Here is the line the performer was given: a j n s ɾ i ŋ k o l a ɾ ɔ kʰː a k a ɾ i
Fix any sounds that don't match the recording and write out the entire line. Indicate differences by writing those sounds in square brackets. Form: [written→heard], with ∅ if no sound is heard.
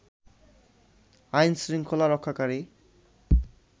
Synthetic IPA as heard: a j n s ɾ i ŋ [k→kʰ] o l a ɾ ɔ kʰː a k a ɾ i